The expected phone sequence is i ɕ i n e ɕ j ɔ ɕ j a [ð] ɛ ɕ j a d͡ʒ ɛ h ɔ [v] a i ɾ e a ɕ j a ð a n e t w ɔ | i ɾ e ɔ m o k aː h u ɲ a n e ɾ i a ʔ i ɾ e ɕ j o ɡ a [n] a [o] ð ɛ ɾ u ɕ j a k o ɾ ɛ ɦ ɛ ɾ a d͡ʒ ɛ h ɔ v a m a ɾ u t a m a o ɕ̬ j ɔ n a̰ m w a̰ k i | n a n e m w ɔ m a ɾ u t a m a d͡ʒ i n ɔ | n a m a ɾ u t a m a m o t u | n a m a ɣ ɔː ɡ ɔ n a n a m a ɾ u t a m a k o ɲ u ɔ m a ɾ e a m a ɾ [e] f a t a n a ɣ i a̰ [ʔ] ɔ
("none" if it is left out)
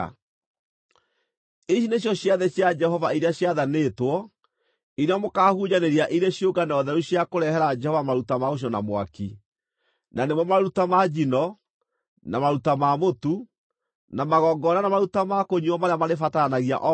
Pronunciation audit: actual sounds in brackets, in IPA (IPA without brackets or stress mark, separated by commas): ð, v, n, ɔ, e, ʔ